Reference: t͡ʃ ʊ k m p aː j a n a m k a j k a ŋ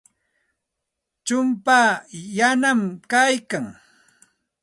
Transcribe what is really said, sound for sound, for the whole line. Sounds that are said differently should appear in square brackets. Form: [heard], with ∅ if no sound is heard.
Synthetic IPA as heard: t͡ʃ ʊ [∅] m p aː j a n a m k a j k a ŋ